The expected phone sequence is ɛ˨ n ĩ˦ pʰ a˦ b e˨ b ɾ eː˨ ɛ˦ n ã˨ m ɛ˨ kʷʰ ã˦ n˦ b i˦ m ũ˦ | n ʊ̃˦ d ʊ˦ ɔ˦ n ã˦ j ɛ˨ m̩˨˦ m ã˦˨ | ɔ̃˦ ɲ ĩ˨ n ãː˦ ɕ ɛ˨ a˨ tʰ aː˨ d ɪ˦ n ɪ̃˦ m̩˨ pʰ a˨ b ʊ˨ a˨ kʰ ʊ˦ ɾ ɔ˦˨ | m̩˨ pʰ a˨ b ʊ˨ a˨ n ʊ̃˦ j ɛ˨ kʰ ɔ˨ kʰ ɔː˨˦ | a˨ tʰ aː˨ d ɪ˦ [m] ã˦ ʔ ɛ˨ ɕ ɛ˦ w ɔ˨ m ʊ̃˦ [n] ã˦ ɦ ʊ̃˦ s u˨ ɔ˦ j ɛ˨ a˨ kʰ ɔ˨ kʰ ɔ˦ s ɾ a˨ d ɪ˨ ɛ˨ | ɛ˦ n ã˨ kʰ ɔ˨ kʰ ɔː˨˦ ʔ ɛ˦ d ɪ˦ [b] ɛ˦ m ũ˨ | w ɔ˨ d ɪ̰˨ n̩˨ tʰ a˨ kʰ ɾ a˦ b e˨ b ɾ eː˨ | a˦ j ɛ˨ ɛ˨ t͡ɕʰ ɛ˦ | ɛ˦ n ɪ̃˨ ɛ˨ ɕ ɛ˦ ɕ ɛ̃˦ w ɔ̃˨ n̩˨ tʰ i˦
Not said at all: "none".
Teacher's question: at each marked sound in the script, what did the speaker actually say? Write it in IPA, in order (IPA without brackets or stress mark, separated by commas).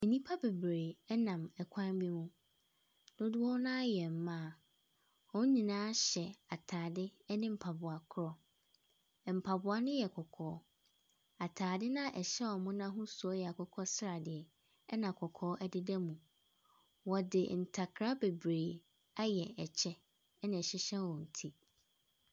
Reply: n, n, d